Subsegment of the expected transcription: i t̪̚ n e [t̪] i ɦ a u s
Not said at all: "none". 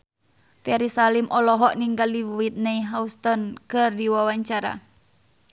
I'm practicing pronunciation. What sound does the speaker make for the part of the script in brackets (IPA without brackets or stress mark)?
none